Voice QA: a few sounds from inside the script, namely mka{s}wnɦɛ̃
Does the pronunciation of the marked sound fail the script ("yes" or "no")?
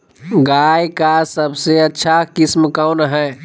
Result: yes